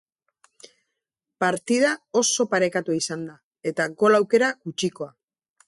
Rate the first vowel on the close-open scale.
open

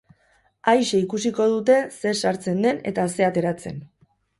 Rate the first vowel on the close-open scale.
open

